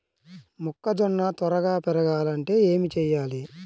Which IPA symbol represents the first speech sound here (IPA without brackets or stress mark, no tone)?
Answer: m